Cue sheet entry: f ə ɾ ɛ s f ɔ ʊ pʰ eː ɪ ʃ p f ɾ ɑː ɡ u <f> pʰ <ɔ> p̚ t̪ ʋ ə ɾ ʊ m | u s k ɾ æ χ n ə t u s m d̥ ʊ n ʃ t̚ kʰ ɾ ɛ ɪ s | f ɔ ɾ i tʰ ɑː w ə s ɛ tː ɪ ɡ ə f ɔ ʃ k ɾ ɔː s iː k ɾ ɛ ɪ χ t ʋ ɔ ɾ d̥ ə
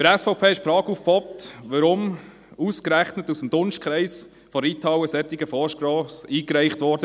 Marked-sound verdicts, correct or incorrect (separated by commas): correct, correct